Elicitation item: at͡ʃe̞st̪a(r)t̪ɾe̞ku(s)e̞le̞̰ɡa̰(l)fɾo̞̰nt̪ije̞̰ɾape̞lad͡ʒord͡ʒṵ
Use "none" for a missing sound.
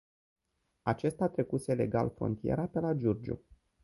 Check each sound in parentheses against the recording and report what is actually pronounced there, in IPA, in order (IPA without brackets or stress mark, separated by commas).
none, s, l